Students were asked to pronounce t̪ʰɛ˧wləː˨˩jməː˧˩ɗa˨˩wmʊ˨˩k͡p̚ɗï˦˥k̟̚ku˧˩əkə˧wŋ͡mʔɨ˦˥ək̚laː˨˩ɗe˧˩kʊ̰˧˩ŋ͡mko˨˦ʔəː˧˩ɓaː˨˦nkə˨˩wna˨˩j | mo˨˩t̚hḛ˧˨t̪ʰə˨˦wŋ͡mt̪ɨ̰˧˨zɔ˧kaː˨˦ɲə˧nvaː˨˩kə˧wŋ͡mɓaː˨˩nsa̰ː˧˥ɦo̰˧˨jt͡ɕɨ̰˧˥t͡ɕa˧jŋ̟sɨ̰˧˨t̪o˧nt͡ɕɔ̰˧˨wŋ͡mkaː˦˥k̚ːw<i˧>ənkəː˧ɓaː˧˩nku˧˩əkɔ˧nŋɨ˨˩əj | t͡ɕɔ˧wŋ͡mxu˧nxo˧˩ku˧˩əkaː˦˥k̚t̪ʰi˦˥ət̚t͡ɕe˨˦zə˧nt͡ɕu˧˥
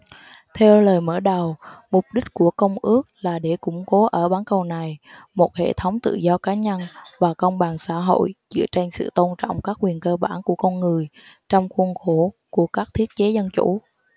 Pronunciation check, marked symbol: incorrect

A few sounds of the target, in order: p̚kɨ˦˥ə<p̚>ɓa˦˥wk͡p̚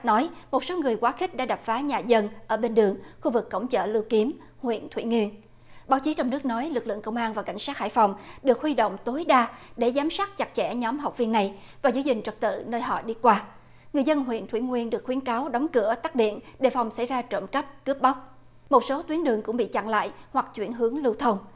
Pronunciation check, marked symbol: correct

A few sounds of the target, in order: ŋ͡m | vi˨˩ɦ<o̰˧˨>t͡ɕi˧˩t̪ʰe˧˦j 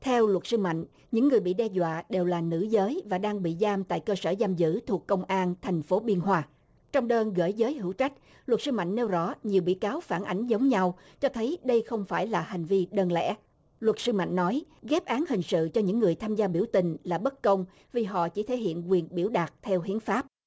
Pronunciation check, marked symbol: incorrect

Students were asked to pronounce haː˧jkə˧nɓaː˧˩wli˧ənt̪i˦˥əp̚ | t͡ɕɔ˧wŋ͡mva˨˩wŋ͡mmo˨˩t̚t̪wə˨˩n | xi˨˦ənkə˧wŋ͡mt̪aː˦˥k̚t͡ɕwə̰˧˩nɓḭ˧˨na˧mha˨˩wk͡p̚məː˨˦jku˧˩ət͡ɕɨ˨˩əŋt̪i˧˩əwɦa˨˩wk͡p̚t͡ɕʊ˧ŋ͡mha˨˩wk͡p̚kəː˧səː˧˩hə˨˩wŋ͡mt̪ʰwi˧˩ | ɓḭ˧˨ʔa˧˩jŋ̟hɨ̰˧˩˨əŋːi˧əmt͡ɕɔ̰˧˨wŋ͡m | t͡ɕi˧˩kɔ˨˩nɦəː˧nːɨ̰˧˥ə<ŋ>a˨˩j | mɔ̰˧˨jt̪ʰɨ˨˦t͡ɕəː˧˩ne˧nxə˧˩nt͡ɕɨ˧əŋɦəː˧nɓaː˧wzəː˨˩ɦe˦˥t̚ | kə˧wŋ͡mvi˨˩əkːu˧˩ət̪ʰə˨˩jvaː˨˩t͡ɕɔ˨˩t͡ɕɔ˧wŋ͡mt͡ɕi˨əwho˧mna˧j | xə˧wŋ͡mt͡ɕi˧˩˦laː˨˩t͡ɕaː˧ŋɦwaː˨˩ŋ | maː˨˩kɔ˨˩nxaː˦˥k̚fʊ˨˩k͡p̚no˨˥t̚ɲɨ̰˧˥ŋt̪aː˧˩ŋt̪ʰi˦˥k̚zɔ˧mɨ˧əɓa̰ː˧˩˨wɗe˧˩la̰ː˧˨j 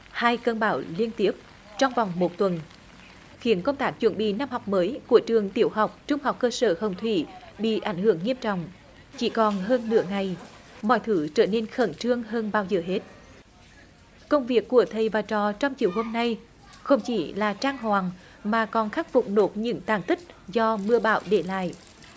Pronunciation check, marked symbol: correct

